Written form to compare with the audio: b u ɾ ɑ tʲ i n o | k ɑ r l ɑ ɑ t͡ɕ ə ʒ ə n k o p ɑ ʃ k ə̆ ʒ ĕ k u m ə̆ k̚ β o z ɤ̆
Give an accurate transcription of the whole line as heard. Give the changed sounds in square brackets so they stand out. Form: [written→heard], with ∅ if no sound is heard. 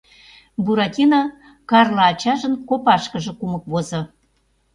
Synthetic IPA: b u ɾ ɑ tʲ i n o | k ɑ r l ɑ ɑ t͡ɕ [ə→ɑ] ʒ ə n k o p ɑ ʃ k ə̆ ʒ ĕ k u m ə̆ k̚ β o z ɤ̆